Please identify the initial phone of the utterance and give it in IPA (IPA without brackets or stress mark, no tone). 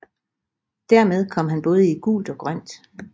d̥